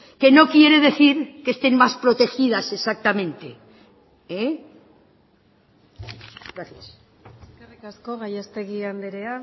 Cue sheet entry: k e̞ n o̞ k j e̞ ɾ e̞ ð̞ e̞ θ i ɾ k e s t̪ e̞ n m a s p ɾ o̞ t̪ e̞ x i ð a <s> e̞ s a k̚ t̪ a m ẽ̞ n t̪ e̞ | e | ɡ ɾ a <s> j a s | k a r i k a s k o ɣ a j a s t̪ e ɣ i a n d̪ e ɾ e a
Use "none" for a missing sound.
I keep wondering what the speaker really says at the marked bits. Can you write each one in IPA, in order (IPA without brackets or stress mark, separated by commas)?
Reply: s, θ